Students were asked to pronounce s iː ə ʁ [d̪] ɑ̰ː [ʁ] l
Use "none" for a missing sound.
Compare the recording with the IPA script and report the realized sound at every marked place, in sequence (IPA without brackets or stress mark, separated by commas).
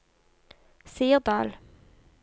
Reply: d̪, none